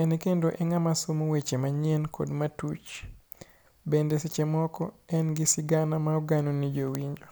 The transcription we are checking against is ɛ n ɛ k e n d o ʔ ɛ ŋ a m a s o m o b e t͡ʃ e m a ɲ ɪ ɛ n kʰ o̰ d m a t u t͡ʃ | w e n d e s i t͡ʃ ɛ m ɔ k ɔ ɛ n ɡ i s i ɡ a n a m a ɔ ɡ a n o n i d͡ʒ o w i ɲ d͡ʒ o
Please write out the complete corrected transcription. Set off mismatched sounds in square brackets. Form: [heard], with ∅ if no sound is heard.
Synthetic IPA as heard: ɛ n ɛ k e n d o ʔ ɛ ŋ a m a s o m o [w] e t͡ʃ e m a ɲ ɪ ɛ n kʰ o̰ d m a t u t͡ʃ | [b] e n d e s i t͡ʃ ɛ m ɔ k ɔ ɛ n ɡ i s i ɡ a n a m a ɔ ɡ a n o n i d͡ʒ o w i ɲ d͡ʒ o

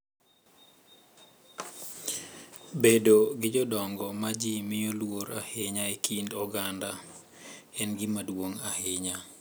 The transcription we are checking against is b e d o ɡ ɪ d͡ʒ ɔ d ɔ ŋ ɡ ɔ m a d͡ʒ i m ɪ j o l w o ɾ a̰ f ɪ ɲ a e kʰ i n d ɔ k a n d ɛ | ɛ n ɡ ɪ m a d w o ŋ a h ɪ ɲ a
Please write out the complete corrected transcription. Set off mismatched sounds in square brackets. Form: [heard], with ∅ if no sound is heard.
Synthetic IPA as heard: b e d o ɡ ɪ d͡ʒ ɔ d ɔ ŋ ɡ ɔ m a d͡ʒ i m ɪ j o l w o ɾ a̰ [h] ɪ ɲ a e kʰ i n d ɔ [ɡ] a n d [a] | ɛ n ɡ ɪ m a d w o ŋ a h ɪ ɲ a

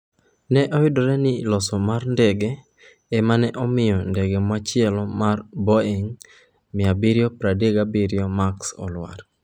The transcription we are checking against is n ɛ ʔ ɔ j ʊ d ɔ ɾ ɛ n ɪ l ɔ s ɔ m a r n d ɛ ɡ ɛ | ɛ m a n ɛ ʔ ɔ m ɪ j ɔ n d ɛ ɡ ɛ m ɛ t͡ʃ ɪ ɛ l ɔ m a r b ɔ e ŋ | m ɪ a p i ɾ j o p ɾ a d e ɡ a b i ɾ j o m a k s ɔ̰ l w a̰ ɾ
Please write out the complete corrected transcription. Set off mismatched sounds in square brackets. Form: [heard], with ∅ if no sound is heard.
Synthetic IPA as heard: n ɛ ʔ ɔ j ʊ d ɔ ɾ ɛ n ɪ l ɔ s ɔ m a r n d ɛ ɡ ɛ | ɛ m a n ɛ ʔ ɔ m ɪ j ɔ n d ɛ ɡ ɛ m [a] t͡ʃ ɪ ɛ l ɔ m a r b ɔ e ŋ | m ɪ a [b] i ɾ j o p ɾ a d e ɡ a b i ɾ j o m a k s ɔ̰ l w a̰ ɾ

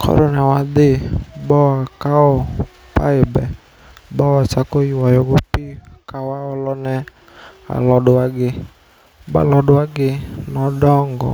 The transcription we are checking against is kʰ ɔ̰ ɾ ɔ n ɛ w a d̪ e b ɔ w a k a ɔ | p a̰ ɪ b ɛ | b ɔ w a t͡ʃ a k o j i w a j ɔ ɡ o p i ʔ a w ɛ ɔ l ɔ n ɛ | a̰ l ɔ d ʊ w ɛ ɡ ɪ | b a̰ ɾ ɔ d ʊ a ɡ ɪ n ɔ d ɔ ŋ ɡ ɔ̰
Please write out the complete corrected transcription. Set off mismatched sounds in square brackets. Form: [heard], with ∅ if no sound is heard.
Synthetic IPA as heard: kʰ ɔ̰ ɾ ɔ n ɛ w a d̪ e b ɔ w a k a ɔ | p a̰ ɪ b ɛ | b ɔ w a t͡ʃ a k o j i w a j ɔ ɡ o p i [k] a w [a] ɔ l ɔ n ɛ | a̰ l ɔ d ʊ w [a] ɡ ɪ | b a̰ [l] ɔ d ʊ a ɡ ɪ n ɔ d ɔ ŋ ɡ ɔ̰

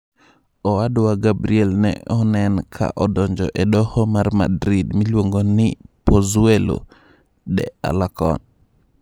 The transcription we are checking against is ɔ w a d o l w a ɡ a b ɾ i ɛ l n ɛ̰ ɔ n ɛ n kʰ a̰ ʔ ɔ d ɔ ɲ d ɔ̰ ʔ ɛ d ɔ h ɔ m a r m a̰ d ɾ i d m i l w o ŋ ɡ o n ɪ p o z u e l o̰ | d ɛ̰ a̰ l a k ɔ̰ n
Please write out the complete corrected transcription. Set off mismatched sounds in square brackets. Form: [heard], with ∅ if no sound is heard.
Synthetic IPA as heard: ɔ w a d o [∅] w a ɡ a b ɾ i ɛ l n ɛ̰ ɔ n ɛ n kʰ a̰ ʔ ɔ d ɔ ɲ [d͡ʒ] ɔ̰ ʔ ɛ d ɔ h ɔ m a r m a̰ d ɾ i d m i l w o ŋ ɡ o n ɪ p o z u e l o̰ | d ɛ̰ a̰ l a k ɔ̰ n

